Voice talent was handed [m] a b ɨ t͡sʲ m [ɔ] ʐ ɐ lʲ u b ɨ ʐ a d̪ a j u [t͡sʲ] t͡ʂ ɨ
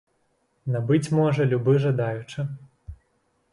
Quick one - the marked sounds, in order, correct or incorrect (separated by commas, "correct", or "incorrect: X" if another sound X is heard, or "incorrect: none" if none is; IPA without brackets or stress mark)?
incorrect: n, correct, incorrect: none